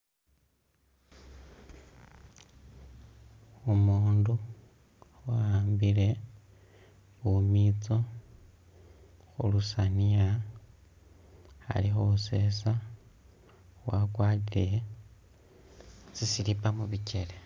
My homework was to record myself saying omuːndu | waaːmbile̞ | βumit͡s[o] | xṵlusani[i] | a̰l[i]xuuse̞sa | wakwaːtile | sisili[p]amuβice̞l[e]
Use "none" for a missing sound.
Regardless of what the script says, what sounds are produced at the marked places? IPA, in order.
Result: o, a, i, p, e

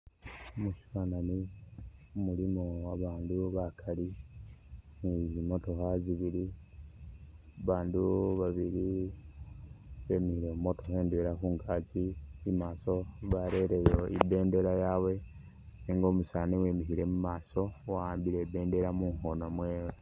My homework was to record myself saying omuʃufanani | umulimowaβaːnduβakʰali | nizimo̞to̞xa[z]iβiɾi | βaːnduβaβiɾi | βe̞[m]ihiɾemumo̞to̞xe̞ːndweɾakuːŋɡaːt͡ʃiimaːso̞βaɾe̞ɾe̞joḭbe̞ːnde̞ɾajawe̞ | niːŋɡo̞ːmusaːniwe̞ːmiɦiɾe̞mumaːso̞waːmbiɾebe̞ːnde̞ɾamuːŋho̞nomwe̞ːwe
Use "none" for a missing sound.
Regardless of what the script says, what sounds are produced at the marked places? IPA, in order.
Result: z, m

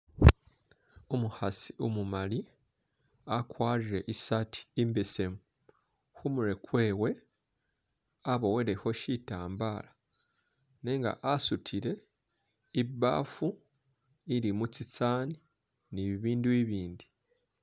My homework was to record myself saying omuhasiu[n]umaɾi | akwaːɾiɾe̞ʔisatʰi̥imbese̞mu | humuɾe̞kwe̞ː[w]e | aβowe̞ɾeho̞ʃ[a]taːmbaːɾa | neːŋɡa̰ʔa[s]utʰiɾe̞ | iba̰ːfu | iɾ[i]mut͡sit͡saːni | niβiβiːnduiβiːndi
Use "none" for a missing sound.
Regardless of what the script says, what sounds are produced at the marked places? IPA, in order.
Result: m, w, i, s, i

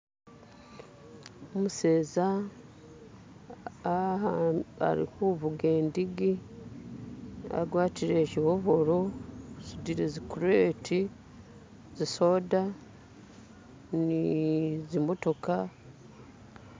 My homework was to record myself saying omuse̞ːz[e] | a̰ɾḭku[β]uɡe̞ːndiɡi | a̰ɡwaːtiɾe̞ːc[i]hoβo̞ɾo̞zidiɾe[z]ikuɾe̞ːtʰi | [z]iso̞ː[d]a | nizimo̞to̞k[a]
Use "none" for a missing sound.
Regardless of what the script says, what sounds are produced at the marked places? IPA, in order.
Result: a, β, i, z, z, d, a

